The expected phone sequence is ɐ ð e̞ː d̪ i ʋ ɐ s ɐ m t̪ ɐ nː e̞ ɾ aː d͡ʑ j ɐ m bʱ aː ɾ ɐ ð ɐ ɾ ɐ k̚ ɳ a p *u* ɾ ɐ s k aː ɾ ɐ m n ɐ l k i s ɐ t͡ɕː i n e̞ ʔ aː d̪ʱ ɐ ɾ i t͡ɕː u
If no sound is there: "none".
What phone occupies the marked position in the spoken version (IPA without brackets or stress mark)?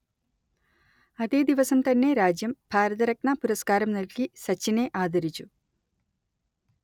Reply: u